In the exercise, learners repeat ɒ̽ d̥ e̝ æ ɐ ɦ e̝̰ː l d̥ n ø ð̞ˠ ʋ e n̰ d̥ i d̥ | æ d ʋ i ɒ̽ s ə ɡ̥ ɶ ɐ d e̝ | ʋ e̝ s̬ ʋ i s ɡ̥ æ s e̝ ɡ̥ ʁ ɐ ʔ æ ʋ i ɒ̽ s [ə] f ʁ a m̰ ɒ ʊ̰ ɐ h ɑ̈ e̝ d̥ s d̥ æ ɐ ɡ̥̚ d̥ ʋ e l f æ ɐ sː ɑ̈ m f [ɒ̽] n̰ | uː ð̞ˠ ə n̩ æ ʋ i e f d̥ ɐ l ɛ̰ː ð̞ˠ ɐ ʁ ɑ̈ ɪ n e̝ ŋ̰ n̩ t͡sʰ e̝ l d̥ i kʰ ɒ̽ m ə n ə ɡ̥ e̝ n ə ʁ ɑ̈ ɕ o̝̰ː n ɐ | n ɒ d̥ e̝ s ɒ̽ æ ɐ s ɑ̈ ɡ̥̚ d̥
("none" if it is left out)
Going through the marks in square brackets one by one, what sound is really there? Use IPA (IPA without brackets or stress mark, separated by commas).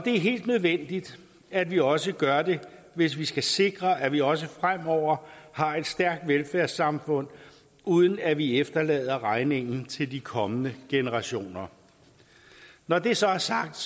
ə, ɔ̽